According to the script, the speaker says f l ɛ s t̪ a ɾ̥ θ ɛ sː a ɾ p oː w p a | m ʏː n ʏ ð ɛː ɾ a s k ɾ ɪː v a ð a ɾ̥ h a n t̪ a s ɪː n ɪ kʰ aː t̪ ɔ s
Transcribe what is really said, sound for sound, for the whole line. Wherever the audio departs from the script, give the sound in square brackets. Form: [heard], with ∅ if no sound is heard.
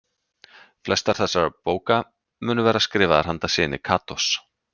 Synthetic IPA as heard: f l ɛ s t̪ a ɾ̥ θ ɛ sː a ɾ p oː w [k] a | m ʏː n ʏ [v] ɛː ɾ a s k ɾ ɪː v a ð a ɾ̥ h a n t̪ a s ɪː n ɪ kʰ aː t̪ ɔ s